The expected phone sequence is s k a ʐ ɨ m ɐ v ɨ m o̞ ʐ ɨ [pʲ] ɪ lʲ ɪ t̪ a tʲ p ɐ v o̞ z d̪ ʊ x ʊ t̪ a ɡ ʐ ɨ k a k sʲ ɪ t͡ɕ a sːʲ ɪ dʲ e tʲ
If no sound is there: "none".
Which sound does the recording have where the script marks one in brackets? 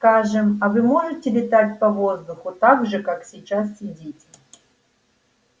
tʲ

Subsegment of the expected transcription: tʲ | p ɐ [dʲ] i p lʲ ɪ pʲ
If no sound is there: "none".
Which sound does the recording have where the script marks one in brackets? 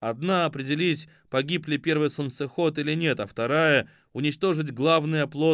ɡʲ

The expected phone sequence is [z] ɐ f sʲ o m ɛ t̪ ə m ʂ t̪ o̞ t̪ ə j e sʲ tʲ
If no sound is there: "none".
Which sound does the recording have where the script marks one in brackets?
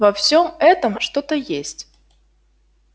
v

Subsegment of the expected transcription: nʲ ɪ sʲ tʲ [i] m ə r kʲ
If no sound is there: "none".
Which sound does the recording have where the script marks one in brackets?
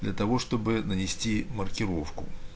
i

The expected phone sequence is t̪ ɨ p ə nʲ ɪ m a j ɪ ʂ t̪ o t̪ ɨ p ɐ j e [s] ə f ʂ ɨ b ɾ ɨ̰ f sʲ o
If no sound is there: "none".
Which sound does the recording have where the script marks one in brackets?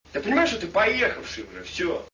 x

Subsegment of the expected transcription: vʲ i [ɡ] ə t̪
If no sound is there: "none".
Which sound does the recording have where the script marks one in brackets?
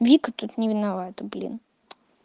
k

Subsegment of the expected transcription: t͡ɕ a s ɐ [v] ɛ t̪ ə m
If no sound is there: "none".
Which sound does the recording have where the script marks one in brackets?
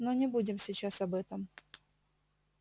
b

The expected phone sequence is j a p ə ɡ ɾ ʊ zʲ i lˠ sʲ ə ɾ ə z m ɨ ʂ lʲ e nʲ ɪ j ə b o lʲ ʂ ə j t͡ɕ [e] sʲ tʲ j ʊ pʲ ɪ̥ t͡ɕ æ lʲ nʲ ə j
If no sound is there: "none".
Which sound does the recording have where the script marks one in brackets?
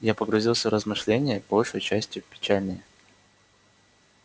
æ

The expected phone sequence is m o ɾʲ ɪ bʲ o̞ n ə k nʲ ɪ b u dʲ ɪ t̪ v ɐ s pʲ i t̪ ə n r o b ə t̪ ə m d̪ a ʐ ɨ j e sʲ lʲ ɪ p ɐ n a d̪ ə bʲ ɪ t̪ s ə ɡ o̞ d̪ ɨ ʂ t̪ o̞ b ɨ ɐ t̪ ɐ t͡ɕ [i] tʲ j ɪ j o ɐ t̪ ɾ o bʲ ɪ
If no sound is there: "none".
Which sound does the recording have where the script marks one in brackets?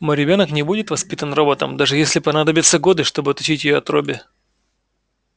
i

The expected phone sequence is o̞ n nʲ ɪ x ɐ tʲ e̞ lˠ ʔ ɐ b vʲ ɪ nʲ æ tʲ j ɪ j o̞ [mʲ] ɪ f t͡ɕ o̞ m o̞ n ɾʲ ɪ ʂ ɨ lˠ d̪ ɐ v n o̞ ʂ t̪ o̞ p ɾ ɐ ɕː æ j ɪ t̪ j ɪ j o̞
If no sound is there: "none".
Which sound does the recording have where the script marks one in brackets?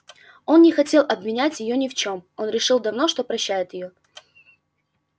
nʲ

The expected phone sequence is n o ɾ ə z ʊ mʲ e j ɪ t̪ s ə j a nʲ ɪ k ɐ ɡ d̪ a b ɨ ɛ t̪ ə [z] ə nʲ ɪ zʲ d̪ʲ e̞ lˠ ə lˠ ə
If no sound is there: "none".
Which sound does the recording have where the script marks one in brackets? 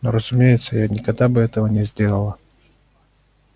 v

